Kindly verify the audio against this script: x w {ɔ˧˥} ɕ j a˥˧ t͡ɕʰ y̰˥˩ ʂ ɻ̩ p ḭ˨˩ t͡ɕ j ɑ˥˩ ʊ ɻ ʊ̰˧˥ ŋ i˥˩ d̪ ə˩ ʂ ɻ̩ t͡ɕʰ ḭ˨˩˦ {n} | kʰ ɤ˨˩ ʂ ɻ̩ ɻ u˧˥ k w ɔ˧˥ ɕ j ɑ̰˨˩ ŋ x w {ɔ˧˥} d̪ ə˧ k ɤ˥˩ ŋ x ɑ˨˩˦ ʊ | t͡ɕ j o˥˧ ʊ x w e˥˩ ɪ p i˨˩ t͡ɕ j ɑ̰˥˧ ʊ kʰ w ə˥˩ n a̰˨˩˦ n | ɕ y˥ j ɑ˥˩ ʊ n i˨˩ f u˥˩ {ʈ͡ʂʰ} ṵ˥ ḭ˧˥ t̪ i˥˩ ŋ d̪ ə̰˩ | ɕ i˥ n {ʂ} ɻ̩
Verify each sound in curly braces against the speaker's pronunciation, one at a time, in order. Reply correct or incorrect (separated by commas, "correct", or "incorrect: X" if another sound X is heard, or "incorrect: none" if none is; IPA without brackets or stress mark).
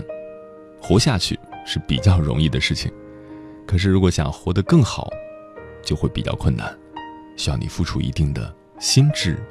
correct, incorrect: ŋ, correct, correct, incorrect: ʈ͡ʂ